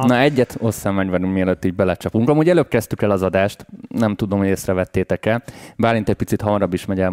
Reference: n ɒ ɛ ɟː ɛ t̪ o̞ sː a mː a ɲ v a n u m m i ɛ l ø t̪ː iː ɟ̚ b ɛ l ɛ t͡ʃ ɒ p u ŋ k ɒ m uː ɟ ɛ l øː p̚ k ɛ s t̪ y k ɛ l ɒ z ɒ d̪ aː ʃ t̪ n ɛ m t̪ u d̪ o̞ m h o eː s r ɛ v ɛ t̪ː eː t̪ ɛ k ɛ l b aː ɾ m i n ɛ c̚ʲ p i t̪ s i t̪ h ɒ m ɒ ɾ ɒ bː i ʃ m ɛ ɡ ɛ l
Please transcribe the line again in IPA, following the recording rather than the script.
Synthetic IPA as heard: n ɒ ɛ ɟː ɛ t̪ o̞ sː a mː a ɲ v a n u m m i ɛ l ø t̪ː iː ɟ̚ b ɛ l ɛ t͡ʃ ɒ p u ŋ k ɒ m uː ɟ ɛ l øː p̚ k ɛ s t̪ y k ɛ l ɒ z ɒ d̪ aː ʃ t̪ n ɛ m t̪ u d̪ o̞ m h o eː s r ɛ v ɛ t̪ː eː t̪ ɛ k ɛ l b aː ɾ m i n ɛ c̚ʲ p i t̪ s i t̪ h ɒ m ɒ ɾ ɒ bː i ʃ m ɛ ɟ ɛ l